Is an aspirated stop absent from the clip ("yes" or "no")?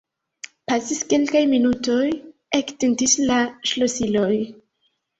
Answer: yes